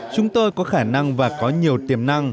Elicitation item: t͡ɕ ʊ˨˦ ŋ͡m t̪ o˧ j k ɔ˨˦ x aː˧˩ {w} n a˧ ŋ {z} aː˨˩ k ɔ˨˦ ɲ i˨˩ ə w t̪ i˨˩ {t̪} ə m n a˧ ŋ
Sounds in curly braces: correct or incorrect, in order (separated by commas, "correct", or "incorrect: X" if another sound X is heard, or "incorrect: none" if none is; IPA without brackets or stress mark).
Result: incorrect: none, incorrect: v, incorrect: none